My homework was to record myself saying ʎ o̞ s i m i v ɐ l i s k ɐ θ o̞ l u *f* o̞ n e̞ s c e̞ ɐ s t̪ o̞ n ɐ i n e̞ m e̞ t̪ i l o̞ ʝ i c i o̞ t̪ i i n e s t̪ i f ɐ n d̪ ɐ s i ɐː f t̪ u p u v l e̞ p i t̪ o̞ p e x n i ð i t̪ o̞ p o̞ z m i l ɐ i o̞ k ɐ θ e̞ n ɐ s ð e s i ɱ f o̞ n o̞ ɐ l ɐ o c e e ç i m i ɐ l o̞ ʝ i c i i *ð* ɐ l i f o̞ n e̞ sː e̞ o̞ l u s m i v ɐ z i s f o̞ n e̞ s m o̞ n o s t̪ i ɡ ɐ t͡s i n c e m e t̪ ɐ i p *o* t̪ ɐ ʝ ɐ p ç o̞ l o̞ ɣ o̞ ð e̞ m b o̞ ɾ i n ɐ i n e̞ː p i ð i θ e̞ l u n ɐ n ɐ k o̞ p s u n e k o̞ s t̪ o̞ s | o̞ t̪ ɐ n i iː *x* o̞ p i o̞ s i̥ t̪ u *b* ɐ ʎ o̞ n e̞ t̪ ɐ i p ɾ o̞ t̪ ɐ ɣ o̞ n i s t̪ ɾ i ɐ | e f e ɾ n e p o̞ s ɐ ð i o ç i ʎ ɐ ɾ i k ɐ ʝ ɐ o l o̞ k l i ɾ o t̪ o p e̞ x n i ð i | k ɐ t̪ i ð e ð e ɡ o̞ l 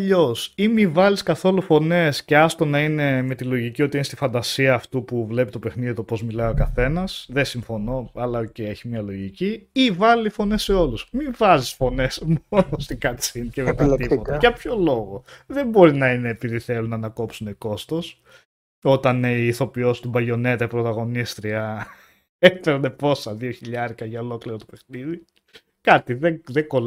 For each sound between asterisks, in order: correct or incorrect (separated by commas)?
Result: correct, incorrect, correct, incorrect, correct